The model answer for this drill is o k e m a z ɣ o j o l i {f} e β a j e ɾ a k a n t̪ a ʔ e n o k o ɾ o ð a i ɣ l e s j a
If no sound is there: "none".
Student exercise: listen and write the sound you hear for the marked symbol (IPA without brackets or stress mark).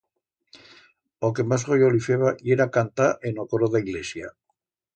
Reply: f